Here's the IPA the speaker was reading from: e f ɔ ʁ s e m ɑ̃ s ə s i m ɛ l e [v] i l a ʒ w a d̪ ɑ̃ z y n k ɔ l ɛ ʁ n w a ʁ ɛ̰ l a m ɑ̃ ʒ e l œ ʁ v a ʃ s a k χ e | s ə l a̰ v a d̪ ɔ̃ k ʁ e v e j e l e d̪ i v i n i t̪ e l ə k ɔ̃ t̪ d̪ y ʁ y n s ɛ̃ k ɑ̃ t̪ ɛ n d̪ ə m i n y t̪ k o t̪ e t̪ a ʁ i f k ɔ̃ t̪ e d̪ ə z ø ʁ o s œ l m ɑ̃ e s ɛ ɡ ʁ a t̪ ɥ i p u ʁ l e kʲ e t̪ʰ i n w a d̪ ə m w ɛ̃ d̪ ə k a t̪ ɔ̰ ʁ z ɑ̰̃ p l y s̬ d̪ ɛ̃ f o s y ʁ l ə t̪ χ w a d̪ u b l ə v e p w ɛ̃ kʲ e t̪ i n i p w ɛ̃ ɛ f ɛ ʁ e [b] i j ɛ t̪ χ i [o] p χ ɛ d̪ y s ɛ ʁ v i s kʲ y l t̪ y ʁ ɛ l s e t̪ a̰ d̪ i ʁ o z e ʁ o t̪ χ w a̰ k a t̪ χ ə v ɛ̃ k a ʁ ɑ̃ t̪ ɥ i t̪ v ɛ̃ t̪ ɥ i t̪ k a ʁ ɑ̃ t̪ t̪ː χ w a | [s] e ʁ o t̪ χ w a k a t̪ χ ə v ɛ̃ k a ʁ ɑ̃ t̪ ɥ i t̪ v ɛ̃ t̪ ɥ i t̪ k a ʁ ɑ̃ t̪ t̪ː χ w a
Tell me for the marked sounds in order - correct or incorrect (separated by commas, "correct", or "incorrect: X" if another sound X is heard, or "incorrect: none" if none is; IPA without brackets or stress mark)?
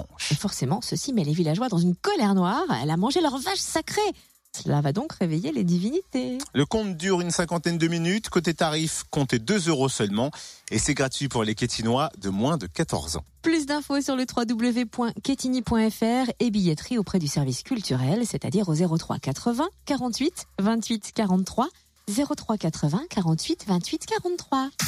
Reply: correct, correct, correct, incorrect: z